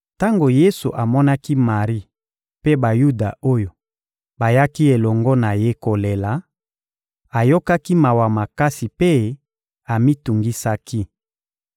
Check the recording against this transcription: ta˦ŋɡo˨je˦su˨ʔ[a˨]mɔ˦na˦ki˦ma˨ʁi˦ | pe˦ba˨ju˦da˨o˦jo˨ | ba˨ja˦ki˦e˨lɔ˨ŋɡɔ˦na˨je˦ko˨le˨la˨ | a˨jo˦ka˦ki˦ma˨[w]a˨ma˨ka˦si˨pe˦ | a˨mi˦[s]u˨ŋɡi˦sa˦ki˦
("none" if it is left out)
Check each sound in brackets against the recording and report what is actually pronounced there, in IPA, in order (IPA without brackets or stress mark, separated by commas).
a˨, w, t